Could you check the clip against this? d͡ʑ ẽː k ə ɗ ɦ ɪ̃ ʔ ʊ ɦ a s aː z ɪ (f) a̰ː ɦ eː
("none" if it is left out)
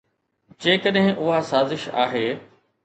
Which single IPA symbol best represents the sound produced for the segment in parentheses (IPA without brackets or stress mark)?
ʃ